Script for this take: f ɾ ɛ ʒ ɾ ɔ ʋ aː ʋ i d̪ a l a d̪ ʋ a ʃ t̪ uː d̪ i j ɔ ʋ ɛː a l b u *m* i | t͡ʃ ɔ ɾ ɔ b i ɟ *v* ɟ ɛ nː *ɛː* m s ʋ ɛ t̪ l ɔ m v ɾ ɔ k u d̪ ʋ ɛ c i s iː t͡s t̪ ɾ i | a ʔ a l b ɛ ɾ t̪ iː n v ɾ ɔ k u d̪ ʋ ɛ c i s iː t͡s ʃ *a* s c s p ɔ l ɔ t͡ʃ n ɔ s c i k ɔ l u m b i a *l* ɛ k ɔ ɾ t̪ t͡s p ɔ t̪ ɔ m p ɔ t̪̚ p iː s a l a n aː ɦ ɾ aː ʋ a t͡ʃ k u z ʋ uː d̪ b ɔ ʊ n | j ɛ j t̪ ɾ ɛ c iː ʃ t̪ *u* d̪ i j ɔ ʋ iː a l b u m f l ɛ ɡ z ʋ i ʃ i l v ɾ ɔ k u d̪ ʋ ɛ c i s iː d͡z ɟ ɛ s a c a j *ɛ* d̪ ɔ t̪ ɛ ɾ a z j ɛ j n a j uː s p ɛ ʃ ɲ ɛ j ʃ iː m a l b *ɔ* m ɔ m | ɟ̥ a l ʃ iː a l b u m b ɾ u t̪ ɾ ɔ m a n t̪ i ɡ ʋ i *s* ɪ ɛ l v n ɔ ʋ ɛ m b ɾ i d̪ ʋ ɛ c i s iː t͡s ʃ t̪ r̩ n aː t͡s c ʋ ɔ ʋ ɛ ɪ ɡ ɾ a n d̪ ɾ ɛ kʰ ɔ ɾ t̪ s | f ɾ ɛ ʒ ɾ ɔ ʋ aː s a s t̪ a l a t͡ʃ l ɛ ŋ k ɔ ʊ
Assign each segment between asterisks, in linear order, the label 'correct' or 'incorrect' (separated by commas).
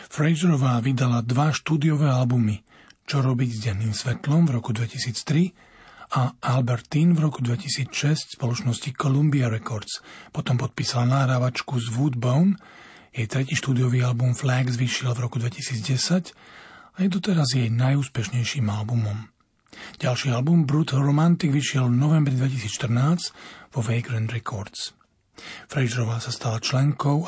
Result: correct, incorrect, incorrect, incorrect, incorrect, incorrect, correct, incorrect, incorrect